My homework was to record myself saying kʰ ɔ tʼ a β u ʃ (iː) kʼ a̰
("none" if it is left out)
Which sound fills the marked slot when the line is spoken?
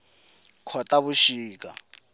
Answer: iː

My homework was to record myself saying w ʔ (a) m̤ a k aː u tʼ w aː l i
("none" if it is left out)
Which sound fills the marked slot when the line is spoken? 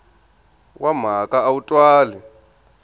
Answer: a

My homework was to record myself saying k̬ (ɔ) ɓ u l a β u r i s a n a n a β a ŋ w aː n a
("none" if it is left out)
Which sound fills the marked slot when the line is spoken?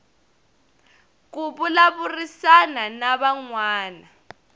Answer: u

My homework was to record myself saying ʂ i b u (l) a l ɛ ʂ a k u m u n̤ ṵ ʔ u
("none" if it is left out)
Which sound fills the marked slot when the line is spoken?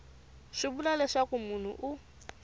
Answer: l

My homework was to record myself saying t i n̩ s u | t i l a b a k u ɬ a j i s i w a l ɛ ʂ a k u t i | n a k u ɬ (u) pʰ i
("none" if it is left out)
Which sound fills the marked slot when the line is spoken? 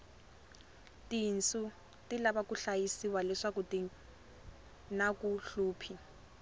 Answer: uː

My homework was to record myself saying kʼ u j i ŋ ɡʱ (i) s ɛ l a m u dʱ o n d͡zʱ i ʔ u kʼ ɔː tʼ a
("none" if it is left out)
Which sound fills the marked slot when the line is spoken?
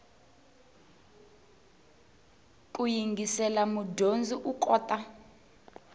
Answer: i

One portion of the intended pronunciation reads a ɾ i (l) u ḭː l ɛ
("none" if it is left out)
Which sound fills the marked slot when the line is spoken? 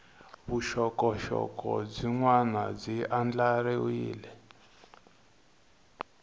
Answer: none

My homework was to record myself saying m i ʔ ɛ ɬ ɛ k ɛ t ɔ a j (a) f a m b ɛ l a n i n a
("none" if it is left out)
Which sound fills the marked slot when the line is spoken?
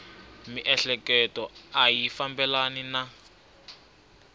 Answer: i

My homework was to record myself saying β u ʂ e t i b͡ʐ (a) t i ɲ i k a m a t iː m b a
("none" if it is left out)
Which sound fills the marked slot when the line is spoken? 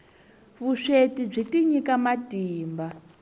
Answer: i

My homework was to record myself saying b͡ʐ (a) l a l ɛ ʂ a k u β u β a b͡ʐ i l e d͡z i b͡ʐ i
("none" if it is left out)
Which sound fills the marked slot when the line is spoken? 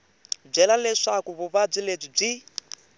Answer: ɛ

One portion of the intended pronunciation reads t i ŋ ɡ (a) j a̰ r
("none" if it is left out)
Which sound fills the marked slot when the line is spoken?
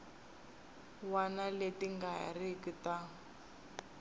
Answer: a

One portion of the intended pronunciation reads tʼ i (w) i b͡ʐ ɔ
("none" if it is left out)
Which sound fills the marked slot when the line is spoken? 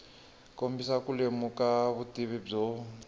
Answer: β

